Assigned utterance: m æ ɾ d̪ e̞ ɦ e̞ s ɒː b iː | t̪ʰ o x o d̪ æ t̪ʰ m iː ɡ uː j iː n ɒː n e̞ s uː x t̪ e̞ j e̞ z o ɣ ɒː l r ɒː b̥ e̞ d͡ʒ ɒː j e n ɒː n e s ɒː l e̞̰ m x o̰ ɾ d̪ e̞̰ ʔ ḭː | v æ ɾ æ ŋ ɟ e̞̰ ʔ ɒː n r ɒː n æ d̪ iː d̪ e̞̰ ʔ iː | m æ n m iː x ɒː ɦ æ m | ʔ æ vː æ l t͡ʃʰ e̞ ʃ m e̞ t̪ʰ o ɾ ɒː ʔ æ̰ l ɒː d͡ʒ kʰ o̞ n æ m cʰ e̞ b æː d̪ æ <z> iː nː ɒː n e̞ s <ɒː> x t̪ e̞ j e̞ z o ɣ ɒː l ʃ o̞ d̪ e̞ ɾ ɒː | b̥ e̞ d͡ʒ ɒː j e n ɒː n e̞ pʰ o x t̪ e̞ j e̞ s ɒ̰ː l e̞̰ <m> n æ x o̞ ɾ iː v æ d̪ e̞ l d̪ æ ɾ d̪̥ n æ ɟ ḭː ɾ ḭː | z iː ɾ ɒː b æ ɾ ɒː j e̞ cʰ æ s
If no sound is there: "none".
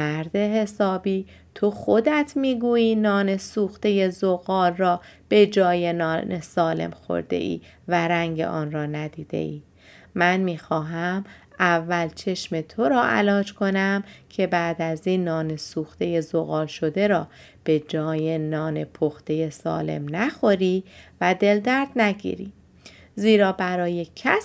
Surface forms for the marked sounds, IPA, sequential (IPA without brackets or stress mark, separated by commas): z, uː, m